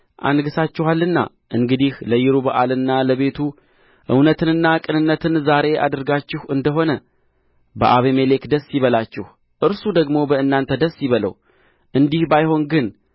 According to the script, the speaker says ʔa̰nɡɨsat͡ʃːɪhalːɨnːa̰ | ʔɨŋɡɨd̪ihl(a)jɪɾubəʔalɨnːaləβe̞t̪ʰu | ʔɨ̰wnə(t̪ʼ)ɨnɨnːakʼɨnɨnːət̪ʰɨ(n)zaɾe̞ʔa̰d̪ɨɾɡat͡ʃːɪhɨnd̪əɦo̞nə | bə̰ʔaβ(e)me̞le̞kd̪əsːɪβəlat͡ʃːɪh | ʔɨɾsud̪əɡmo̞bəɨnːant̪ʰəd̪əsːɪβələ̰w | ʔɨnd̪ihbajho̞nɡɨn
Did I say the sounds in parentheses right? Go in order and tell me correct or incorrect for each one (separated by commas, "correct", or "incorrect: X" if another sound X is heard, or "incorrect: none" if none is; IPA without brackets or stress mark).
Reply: incorrect: ə, incorrect: t̪, correct, correct